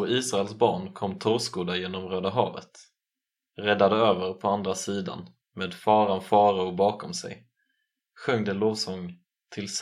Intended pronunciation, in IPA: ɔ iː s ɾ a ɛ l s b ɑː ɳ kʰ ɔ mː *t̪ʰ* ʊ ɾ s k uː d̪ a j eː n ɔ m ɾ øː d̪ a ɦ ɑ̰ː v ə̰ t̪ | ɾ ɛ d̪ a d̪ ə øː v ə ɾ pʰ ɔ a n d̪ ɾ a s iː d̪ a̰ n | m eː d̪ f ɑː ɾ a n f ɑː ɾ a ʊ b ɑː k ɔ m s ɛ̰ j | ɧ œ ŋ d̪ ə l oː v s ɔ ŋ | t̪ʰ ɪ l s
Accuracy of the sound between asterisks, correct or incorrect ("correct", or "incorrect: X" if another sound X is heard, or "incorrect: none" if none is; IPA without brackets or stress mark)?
correct